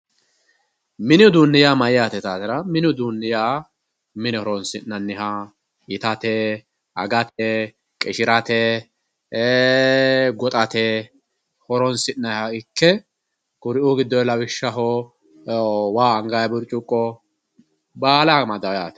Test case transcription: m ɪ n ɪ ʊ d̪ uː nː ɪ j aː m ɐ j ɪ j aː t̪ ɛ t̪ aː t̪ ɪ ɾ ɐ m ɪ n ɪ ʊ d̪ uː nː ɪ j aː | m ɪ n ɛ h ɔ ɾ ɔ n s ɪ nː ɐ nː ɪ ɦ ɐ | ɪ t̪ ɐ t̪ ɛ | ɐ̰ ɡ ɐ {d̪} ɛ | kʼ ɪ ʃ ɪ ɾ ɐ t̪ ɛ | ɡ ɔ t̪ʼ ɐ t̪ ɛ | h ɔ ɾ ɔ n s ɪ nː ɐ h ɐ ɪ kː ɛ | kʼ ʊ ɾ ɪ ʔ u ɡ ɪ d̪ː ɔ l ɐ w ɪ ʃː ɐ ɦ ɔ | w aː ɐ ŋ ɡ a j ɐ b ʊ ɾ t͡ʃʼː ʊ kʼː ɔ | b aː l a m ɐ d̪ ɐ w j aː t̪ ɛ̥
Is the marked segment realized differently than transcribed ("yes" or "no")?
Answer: yes